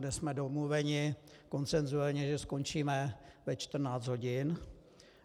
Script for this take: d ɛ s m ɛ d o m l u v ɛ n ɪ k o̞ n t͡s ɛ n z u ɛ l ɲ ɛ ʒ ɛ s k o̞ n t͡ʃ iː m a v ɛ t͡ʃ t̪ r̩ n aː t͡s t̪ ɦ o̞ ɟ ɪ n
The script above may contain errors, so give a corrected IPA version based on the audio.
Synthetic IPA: d ɛ s m ɛ d o m l u v ɛ ɲ ɪ k o̞ n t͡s ɛ n z u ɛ l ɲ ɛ ʒ ɛ s k o̞ n t͡ʃ iː m ɛ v ɛ t͡ʃ t̪ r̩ n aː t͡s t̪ ɦ o̞ ɟ ɪ n